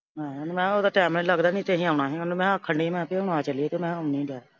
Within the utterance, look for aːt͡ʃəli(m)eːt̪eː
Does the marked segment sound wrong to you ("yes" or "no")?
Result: yes